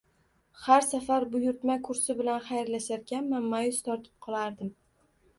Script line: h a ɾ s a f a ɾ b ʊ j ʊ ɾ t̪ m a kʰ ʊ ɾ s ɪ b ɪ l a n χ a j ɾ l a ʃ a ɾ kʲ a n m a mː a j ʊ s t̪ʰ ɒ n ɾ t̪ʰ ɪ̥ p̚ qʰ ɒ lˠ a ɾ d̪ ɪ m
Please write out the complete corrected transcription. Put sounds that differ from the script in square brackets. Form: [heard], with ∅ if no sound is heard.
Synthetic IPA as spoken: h a ɾ s a f a ɾ b ʊ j ʊ ɾ t̪ m a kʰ ʊ ɾ s ɪ b ɪ l a n χ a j ɾ l a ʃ a ɾ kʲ a n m a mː a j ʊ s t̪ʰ ɒ [∅] ɾ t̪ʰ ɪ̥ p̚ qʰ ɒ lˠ a ɾ d̪ ɪ m